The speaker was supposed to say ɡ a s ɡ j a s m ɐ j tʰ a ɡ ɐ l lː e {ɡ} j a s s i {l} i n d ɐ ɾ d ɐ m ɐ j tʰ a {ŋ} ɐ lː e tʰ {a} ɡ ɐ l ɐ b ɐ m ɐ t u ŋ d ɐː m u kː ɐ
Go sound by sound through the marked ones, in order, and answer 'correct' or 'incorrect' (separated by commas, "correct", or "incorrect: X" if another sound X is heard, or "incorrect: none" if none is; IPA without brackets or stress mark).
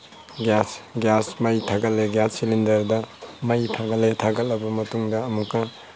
correct, correct, incorrect: ɡ, correct